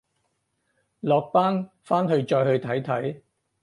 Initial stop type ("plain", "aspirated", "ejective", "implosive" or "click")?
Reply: plain